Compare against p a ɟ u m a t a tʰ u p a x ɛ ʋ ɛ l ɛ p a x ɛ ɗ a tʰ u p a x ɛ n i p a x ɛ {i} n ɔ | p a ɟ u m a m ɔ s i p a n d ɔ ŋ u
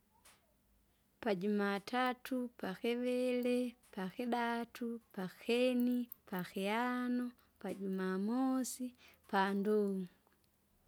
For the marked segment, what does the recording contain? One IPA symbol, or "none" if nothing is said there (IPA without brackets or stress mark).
a